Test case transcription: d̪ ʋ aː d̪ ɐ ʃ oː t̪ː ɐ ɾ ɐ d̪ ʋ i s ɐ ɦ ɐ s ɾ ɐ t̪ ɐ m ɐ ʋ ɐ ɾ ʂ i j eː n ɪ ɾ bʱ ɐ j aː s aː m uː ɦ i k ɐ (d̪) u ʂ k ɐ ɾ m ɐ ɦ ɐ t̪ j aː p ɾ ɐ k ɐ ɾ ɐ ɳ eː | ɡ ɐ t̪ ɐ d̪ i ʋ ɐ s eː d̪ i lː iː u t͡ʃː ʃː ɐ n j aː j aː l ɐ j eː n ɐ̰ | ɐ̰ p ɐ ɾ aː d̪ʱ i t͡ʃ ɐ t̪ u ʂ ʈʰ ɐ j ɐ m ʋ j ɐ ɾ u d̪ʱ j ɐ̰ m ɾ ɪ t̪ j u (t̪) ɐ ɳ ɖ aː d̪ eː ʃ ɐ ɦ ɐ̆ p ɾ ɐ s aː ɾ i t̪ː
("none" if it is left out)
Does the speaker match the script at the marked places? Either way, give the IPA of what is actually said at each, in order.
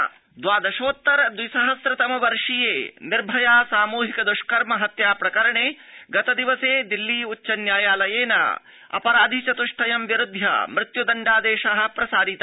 d̪, d̪

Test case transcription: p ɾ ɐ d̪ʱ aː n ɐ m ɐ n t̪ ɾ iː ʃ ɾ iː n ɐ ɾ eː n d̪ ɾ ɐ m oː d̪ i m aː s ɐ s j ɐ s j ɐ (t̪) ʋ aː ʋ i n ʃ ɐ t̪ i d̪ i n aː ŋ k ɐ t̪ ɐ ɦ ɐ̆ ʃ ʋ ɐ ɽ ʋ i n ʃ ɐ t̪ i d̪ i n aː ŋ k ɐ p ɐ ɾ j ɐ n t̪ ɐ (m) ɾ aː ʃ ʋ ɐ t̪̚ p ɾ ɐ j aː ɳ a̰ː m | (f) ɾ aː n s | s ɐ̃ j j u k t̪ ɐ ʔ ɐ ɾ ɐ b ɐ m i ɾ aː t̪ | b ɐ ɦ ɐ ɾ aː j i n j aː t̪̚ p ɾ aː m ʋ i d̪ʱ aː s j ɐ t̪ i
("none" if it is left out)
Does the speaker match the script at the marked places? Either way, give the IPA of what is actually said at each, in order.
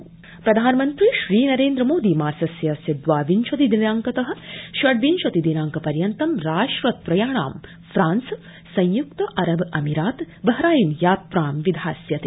d̪, m, f

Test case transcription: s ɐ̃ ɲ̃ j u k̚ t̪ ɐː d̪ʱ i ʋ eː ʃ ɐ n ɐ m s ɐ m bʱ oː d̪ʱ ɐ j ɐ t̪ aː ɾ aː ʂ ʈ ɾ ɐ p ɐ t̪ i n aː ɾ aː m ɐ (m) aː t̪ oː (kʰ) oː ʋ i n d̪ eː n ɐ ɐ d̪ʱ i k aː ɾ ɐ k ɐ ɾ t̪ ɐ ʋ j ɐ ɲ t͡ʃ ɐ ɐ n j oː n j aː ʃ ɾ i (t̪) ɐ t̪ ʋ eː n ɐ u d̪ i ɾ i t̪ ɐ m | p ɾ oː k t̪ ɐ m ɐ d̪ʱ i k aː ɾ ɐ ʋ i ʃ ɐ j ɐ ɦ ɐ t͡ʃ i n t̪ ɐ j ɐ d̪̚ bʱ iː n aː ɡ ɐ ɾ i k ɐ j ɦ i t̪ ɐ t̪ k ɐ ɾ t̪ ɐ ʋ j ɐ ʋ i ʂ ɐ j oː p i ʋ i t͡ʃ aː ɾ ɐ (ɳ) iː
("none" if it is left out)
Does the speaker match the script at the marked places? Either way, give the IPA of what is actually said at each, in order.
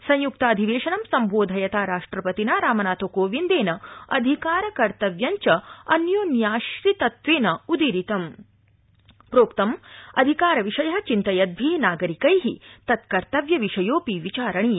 n, k, t̪, ɳ

